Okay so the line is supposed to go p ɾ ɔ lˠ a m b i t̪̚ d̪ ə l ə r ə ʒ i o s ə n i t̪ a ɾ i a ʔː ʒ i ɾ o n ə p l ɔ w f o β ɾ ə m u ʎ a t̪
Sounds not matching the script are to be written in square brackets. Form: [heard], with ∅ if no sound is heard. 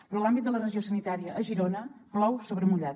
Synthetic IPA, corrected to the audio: p ɾ ɔ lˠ a m b i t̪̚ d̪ ə l ə r ə ʒ i o s ə n i t̪ a ɾ i [ə] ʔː ʒ i ɾ o n ə p l ɔ w [s] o β ɾ ə m u ʎ a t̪